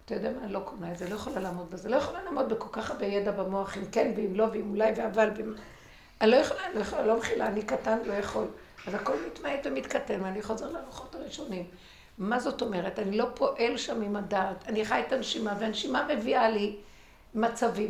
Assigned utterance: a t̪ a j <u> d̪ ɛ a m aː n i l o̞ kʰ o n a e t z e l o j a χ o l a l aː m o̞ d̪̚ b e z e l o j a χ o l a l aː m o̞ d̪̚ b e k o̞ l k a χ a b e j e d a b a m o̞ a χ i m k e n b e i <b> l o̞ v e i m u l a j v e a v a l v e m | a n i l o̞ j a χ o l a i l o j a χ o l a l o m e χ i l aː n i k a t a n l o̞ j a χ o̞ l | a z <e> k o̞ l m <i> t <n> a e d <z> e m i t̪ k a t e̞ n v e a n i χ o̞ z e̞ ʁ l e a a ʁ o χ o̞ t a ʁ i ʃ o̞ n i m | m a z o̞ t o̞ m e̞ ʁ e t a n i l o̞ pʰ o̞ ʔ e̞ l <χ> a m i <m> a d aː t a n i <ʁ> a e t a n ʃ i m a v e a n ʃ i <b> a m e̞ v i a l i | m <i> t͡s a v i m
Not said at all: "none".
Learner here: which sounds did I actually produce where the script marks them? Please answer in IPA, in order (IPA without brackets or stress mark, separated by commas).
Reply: o, m, a, i, m, v, ʃ, m, χ, m, a